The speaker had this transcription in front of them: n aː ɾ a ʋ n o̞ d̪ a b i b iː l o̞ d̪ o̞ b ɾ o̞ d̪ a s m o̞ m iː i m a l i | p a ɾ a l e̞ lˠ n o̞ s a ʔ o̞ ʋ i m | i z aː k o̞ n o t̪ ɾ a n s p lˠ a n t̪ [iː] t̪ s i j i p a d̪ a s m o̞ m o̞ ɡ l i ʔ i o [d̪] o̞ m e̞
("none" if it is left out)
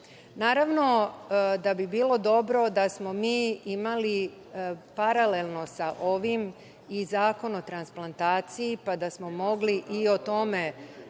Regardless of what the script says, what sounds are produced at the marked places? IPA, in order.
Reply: aː, t̪

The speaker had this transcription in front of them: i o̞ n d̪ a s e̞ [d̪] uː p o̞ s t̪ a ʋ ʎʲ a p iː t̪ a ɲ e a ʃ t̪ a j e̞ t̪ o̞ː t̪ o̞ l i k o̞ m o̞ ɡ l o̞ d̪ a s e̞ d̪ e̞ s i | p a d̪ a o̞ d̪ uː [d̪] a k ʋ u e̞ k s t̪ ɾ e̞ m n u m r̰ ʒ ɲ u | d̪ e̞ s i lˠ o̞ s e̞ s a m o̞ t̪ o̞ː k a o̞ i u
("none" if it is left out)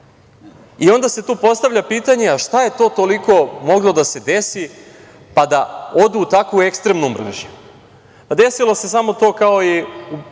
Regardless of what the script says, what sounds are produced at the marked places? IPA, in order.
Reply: t̪, t̪

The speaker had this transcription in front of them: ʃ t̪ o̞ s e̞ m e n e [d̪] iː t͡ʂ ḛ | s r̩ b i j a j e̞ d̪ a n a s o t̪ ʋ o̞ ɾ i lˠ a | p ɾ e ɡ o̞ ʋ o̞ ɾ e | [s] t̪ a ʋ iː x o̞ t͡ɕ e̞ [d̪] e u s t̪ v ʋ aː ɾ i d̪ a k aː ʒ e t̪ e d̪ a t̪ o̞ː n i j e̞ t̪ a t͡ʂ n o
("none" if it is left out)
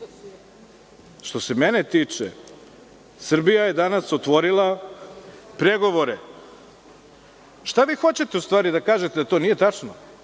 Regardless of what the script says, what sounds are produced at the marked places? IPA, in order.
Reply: t̪, ʃ, t̪

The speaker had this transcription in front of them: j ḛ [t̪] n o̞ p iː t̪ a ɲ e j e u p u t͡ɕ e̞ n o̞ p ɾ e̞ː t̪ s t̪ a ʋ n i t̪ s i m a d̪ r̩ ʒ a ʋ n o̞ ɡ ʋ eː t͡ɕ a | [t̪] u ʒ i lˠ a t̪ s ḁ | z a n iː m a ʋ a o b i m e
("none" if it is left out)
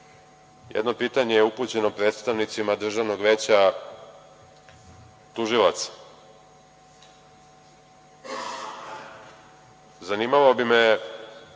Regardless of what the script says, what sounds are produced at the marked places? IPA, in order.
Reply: d̪, t̪

